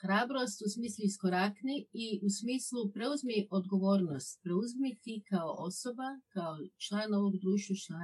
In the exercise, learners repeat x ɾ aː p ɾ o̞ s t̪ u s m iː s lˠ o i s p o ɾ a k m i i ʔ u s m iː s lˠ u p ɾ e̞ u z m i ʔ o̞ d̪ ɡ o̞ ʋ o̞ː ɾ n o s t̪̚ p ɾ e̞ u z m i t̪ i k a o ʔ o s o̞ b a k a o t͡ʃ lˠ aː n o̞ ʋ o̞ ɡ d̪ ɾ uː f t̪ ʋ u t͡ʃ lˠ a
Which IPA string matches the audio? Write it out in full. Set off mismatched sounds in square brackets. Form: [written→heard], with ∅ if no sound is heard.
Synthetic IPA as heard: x ɾ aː [p→b] ɾ o̞ s t̪ u s m iː s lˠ [o→u] i s [p→k] o ɾ a k [m→n] i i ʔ u s m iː s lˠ u p ɾ e̞ u z m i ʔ o̞ d̪ ɡ o̞ ʋ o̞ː ɾ n o s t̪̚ p ɾ e̞ u z m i t̪ i k a o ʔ o s o̞ b a k a o t͡ʃ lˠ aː n o̞ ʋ o̞ ɡ d̪ ɾ uː [f→ʃ] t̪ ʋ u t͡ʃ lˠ a